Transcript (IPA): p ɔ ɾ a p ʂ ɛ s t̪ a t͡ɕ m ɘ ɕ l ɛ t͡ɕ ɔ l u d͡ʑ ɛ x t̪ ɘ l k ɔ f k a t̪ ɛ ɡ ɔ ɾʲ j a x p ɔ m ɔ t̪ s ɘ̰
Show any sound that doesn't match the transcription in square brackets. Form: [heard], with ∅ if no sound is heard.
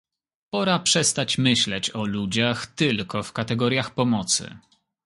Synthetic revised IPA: p ɔ ɾ a p ʂ ɛ s t̪ a t͡ɕ m ɘ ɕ l ɛ t͡ɕ ɔ l u d͡ʑ [a] x t̪ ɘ l k ɔ f k a t̪ ɛ ɡ ɔ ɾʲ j a x p ɔ m ɔ t̪ s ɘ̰